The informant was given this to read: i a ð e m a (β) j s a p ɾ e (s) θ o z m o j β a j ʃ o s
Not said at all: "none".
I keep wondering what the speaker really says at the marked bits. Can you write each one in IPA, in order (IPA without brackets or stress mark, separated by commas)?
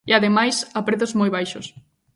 none, none